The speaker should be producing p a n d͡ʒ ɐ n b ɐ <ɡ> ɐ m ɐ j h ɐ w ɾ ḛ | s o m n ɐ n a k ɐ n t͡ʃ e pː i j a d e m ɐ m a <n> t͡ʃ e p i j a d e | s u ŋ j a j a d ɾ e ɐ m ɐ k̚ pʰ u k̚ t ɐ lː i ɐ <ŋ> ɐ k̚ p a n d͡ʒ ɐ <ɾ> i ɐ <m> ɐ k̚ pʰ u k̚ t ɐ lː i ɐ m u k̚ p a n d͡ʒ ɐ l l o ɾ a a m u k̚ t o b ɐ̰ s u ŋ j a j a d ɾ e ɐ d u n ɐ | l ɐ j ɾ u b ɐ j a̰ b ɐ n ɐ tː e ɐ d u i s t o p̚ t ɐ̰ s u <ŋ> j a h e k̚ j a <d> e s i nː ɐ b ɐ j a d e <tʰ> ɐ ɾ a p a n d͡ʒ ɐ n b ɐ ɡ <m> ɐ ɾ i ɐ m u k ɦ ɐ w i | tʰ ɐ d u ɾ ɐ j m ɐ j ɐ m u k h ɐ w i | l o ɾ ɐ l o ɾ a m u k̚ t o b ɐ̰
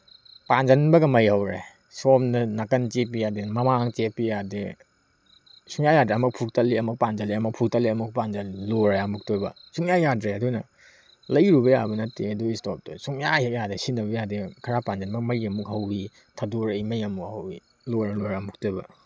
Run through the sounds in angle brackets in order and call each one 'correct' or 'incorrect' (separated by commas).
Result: correct, incorrect, incorrect, incorrect, correct, correct, correct, incorrect, correct